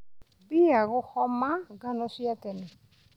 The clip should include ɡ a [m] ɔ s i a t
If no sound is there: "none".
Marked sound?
n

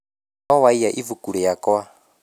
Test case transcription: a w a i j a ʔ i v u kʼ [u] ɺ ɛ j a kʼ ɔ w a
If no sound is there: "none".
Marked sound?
u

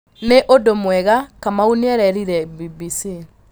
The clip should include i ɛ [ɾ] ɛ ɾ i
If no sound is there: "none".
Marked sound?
ɾ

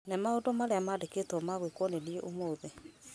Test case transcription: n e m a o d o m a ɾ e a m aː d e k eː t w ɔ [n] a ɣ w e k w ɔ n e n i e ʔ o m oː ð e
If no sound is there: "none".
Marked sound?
m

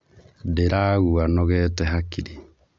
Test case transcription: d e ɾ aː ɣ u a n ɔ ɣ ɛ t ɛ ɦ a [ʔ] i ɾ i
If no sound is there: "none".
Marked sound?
k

